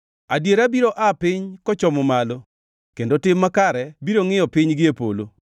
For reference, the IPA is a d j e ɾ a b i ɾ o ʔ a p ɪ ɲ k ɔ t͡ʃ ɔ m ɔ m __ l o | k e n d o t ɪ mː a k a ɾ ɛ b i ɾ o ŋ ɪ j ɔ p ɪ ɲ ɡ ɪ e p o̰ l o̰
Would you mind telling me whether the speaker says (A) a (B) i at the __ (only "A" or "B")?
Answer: A